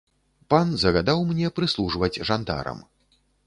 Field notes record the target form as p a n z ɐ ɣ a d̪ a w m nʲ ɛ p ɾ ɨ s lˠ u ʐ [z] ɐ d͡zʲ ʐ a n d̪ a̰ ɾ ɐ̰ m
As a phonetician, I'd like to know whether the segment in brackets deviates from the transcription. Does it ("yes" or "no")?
yes